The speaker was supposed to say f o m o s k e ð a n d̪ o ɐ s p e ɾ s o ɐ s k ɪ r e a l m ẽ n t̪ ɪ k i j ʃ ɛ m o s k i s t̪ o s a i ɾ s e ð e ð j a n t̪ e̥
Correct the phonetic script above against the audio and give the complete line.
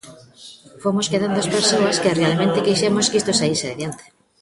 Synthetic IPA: f o m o s k e ð a n d̪ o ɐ s p e ɾ s o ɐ s k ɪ r e a l m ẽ n t̪ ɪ k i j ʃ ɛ m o s k i s t̪ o s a i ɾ s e ð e ð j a n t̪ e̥